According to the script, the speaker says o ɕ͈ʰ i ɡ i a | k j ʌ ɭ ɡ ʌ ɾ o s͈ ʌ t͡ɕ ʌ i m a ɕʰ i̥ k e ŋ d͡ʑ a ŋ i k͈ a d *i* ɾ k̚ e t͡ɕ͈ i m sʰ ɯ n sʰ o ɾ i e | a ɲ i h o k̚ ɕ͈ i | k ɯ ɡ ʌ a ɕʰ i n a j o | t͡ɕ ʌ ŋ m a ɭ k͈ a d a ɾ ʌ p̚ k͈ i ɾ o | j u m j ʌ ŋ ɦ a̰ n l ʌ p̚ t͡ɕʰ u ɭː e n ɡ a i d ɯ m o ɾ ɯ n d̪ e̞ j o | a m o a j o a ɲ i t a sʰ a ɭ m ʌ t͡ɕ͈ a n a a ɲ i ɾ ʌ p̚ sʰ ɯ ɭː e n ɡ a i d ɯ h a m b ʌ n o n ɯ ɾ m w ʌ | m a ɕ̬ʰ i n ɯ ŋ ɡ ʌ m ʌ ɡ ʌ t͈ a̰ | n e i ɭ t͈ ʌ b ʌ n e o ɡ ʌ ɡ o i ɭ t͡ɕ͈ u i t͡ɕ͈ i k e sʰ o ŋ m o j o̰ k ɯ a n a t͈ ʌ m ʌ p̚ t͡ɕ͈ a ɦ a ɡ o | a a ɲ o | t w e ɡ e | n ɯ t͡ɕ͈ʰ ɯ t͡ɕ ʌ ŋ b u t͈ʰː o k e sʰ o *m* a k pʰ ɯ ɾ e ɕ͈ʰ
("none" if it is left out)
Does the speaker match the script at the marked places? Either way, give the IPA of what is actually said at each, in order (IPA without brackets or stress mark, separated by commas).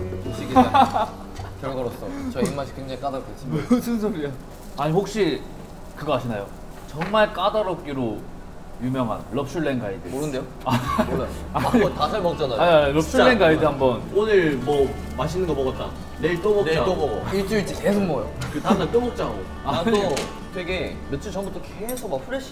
a, m